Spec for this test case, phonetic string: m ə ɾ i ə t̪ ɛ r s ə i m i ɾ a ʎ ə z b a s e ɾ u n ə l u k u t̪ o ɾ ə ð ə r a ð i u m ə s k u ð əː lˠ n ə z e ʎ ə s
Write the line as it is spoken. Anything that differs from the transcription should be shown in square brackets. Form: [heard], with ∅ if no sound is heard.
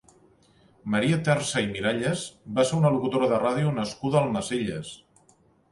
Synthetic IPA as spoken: m ə ɾ i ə t̪ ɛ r s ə i m i ɾ a ʎ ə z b a s e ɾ u n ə l u k u t̪ o ɾ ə ð ə r a ð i u [n] ə s k u ð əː lˠ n ə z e ʎ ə s